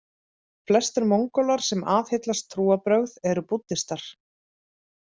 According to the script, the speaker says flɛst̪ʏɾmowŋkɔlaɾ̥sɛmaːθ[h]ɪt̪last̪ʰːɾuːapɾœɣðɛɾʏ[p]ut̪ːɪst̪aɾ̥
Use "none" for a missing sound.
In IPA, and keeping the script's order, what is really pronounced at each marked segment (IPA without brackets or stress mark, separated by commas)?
h, p